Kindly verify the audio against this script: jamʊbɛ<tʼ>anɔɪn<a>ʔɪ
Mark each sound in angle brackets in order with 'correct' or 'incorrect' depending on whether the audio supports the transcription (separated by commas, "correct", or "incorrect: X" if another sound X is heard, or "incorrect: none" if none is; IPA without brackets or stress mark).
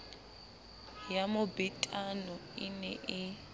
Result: correct, incorrect: ɛ